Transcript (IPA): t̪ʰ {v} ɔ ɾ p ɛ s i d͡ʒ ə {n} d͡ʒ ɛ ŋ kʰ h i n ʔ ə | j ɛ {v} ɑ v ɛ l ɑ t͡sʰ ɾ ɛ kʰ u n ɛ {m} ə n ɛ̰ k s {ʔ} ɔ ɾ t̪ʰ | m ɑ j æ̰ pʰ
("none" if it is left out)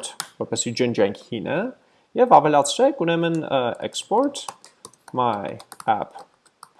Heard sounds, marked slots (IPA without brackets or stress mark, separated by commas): v, n, v, m, p